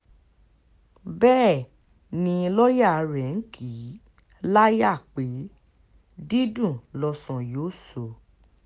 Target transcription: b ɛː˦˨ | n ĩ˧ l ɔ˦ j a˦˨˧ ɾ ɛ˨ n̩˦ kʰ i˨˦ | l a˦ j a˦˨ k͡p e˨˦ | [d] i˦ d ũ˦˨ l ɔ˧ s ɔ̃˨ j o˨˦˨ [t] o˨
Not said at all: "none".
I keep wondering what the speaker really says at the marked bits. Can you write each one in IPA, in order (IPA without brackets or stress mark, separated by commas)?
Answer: d, s